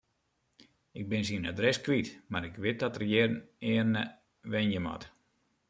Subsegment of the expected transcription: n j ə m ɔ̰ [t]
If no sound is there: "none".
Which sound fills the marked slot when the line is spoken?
t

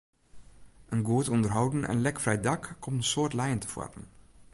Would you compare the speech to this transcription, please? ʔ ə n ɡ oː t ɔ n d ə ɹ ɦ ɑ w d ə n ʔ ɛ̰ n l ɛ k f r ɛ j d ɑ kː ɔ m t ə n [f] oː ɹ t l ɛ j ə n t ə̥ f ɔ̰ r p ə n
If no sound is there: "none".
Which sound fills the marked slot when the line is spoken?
s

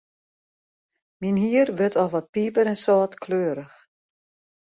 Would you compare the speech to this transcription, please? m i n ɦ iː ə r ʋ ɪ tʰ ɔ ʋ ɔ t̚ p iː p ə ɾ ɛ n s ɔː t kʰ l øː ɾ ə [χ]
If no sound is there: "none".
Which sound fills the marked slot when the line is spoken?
x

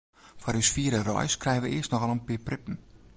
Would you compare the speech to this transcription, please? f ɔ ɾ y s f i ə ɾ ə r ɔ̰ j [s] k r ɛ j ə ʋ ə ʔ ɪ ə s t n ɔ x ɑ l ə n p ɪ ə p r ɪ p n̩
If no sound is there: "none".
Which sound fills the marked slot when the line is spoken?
s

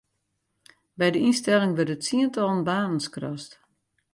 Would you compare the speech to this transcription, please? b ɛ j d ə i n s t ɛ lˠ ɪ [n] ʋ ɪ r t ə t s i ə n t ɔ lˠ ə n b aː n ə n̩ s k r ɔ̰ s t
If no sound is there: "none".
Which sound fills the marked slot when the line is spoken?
ŋ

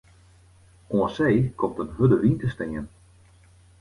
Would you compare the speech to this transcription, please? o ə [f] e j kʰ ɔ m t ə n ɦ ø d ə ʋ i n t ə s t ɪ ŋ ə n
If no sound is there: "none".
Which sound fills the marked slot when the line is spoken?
s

